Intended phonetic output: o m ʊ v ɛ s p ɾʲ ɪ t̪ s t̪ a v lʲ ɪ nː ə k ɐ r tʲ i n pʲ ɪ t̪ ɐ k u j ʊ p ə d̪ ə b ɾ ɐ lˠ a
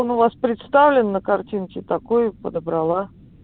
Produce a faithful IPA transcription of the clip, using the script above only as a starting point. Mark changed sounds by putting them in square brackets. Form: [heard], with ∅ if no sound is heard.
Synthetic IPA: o [n] ʊ v [a] s p ɾʲ ɪ t̪ s t̪ a v lʲ ɪ nː ə k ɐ r tʲ i n [kʲ] ɪ t̪ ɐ k [o] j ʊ p ə d̪ ə b ɾ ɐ lˠ a